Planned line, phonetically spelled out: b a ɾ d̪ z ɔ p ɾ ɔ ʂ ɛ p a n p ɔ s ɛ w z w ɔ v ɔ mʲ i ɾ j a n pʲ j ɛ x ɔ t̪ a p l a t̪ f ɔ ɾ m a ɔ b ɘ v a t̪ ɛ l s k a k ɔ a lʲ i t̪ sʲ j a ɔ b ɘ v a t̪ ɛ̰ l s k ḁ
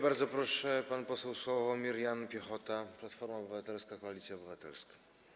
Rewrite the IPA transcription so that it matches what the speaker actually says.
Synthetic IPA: b a ɾ d̪ z ɔ p ɾ ɔ ʂ ɛ p a n p ɔ s ɛ w s w ɔ v ɔ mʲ i ɾ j a n pʲ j ɛ x ɔ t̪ a p l a t̪ f ɔ ɾ m a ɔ b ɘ v a t̪ ɛ l s k a k ɔ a lʲ i t̪ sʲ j a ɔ b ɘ v a t̪ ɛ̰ l s k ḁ

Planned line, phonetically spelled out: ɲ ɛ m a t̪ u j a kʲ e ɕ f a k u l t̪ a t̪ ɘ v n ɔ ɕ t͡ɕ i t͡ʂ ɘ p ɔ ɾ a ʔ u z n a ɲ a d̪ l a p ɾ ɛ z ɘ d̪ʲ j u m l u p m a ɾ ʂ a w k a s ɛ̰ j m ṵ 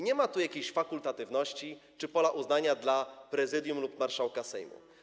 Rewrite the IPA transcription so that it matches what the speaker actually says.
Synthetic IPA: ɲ ɛ m a t̪ u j a kʲ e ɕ f a k u l t̪ a t̪ ɘ v n ɔ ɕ t͡ɕ i t͡ʂ ɘ p ɔ l a ʔ u z n a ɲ a d̪ l a p ɾ ɛ z ɘ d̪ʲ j u m l u p m a ɾ ʂ a w k a s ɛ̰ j m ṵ

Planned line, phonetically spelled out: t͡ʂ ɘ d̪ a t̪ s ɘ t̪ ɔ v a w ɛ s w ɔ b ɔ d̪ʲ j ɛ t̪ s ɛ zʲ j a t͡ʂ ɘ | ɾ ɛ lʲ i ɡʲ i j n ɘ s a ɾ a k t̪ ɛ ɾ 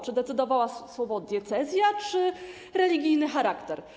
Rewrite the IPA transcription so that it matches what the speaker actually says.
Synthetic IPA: t͡ʂ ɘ d̪ ɛ t̪ s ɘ d̪ ɔ v a w a s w ɔ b ɔ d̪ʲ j ɛ t̪ s ɛ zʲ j a t͡ʂ ɘ | ɾ ɛ lʲ i ɡʲ i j n ɘ x a ɾ a k t̪ ɛ ɾ

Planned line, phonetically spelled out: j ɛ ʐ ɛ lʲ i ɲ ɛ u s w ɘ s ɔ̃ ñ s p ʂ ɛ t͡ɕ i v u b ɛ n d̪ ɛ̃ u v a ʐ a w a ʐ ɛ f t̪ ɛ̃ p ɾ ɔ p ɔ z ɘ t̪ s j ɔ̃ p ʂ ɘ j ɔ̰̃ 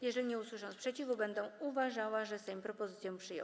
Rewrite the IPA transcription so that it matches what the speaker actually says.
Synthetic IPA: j ɛ ʐ ɛ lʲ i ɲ ɛ u s w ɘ ʂ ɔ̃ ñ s p ʂ ɛ t͡ɕ i v u b ɛ n d̪ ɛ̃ u v a ʐ a w a ʐ ɛ s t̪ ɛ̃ p ɾ ɔ p ɔ z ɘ t̪ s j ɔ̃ p ʂ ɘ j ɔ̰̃

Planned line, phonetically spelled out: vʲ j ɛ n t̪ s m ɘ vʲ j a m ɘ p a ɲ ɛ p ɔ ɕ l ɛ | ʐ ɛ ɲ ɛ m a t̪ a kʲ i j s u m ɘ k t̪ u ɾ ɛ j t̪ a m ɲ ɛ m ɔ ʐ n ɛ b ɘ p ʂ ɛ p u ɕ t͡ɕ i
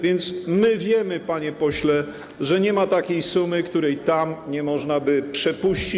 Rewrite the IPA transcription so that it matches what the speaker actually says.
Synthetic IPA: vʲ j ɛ n t̪ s m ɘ vʲ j ɛ m ɘ p a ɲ ɛ p ɔ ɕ l ɛ | ʐ ɛ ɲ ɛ m a t̪ a kʲ e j s u m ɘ k t̪ u ɾ ɛ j t̪ a m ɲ ɛ m ɔ ʐ n a b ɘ p ʂ ɛ p u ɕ t͡ɕ i

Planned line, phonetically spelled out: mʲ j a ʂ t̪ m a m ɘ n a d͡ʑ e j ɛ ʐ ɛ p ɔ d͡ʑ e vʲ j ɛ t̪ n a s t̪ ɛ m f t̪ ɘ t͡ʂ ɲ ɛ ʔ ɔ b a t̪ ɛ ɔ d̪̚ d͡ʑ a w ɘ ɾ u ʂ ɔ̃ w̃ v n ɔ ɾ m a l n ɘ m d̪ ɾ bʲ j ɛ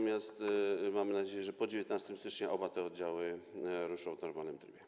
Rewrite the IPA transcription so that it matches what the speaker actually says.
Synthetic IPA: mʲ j a s t̪ m a m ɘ n a d͡ʑ e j ɛ ʐ ɛ p ɔ d͡ʑ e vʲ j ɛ t̪ n a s t̪ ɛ m s t̪ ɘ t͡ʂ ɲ ɛ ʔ ɔ b a t̪ ɛ ɔ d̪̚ d͡ʑ a w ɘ ɾ u ʂ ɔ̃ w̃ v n ɔ ɾ m a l n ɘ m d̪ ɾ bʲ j ɛ

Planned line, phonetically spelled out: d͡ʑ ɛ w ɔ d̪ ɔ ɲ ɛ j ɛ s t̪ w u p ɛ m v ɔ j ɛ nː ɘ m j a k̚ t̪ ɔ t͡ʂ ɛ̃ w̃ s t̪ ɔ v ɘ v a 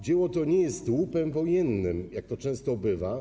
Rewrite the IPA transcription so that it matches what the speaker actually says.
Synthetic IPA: d͡ʑ ɛ w ɔ t̪ ɔ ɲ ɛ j ɛ s t̪ w u p ɛ m v ɔ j ɛ nː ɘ m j a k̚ t̪ ɔ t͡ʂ ɛ̃ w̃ s t̪ ɔ b ɘ v a

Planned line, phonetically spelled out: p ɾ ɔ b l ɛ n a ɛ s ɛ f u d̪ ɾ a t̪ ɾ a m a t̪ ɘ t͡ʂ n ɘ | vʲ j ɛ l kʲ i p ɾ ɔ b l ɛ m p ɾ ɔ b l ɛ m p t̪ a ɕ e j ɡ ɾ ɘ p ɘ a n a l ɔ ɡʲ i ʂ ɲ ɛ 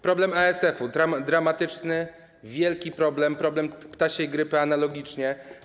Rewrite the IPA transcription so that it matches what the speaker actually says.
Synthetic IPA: p ɾ ɔ b l ɛ m a ɛ s ɛ f u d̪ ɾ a d̪ ɾ a m a t̪ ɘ t͡ʂ n ɘ | vʲ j ɛ l kʲ i p ɾ ɔ b l ɛ m p ɾ ɔ b l ɛ m p t̪ a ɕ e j ɡ ɾ ɘ p ɘ a n a l ɔ ɡʲ i t͡ʂ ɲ ɛ

